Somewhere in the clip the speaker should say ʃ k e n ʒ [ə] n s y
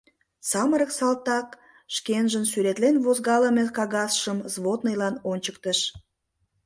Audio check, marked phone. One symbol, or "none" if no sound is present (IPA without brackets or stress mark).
ə